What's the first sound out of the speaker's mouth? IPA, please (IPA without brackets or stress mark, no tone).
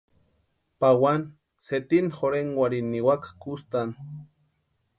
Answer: p